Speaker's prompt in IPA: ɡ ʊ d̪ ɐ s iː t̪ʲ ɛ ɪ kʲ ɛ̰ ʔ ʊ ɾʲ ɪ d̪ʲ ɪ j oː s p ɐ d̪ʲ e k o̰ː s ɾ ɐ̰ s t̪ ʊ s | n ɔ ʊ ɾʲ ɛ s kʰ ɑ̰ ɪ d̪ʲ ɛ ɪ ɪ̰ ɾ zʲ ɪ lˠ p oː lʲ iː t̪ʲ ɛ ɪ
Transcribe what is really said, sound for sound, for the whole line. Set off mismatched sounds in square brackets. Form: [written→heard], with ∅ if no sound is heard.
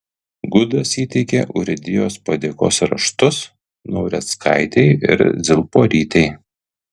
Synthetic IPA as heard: ɡ ʊ d̪ ɐ s iː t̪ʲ ɛ ɪ kʲ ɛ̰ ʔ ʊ ɾʲ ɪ d̪ʲ ɪ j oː s p ɐ d̪ʲ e k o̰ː s ɾ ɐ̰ [s→ʃ] t̪ ʊ s | n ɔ ʊ ɾʲ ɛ s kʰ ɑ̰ ɪ [d̪ʲ→t̪ʲ] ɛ ɪ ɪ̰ ɾ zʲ ɪ lˠ p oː [lʲ→ɾʲ] iː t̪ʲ ɛ ɪ